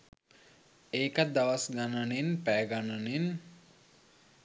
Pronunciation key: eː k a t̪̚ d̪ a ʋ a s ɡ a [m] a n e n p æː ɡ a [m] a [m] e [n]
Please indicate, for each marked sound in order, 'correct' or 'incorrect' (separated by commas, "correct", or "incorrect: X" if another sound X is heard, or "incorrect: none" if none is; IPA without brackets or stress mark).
incorrect: n, incorrect: n, incorrect: n, correct